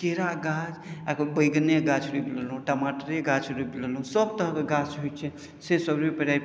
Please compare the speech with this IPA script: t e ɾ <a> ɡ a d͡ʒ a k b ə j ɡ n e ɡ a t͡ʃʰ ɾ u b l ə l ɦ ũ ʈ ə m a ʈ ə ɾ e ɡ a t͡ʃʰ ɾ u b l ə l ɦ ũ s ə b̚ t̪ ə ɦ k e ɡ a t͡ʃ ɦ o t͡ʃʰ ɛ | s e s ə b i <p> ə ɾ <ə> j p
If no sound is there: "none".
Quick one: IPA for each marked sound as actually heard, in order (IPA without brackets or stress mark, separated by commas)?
a, p, a